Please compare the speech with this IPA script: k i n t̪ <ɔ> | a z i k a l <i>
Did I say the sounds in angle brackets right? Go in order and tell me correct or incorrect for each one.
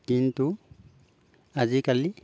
incorrect: u, correct

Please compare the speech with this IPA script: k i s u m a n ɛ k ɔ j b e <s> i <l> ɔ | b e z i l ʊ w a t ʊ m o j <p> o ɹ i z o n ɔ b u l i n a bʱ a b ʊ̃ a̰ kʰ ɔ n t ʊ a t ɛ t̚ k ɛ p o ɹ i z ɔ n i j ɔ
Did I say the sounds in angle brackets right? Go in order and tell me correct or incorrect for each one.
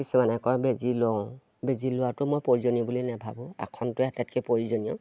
incorrect: z, correct, correct

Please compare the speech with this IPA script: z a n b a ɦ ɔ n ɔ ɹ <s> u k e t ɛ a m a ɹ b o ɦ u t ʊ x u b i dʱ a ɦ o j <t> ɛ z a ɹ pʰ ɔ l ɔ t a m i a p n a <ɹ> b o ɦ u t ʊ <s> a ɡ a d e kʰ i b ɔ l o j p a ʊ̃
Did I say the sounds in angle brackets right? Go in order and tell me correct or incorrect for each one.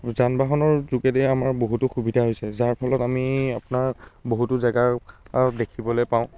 incorrect: z, incorrect: s, correct, incorrect: z

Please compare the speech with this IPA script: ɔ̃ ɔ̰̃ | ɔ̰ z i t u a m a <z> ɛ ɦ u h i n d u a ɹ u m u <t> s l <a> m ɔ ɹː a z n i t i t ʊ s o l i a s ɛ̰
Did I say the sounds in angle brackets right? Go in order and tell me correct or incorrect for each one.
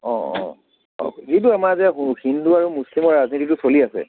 correct, incorrect: none, incorrect: i

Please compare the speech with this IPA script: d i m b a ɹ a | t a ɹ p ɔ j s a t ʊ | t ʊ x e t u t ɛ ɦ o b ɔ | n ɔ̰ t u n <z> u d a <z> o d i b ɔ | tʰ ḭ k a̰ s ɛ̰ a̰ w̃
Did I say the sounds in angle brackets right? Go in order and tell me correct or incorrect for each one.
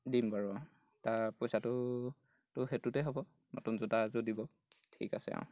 correct, correct

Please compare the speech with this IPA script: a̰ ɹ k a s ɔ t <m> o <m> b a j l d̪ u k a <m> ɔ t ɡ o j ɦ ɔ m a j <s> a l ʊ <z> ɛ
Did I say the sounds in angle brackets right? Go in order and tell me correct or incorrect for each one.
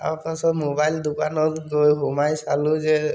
correct, incorrect: none, incorrect: n, correct, correct

